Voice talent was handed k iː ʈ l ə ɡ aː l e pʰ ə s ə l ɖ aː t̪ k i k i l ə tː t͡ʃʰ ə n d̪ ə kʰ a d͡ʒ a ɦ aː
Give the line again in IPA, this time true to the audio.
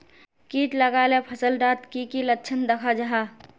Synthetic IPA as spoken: k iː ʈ l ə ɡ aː l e pʰ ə s ə l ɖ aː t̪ k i k i l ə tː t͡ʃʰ ə n d̪ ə kʰ a d͡ʒ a ɦ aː